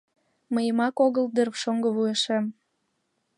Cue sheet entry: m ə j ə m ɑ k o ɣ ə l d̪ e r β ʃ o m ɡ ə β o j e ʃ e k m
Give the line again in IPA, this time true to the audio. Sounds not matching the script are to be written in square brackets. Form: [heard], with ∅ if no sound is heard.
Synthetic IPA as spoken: m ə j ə m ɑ k o ɣ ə l d̪ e r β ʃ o [ŋ] ɡ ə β [u] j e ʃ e [∅] m